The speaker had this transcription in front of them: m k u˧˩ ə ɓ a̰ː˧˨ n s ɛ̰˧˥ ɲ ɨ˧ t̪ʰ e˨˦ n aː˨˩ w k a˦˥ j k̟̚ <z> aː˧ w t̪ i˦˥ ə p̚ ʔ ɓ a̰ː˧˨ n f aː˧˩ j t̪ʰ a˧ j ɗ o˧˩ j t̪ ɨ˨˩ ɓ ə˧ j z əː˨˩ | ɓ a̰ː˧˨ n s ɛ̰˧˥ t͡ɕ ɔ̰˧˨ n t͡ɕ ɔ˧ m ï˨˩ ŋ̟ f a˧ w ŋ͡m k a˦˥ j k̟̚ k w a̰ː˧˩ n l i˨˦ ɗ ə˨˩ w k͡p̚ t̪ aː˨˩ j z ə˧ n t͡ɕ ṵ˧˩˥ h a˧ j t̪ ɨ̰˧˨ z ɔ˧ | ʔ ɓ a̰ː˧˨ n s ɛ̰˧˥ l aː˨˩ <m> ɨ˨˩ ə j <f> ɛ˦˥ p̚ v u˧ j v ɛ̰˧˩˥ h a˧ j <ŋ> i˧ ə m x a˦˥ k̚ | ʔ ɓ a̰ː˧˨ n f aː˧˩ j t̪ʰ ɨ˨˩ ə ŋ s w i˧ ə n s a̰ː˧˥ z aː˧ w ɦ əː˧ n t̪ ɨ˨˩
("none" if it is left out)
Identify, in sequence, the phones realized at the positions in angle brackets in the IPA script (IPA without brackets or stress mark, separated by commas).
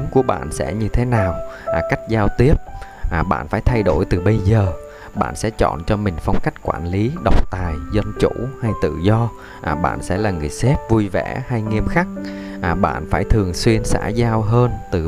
z, ŋ, s, ŋ